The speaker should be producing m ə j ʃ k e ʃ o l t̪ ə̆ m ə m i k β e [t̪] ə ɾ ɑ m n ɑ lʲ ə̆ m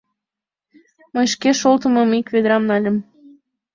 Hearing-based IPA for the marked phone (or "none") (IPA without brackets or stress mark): d̪